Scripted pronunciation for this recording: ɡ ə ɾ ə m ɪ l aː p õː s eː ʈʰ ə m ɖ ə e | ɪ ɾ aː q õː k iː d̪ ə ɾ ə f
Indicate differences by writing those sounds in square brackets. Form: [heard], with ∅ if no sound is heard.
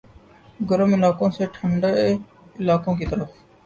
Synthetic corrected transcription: ɡ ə ɾ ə m ɪ l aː [k] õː s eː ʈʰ ə [ɳ] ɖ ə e | ɪ [l] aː [k] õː k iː [t̪] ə ɾ ə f